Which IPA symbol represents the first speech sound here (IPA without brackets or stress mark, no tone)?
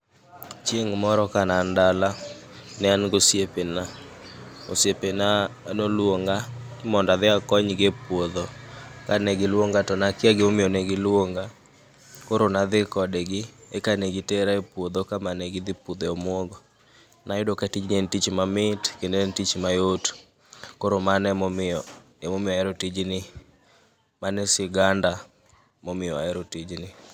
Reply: t͡ʃ